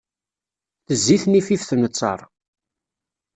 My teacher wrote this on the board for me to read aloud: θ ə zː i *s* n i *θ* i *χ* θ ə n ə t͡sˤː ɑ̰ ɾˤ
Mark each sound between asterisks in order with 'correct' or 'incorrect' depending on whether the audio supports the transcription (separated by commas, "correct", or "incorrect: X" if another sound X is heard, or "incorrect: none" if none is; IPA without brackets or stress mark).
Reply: incorrect: θ, incorrect: f, incorrect: f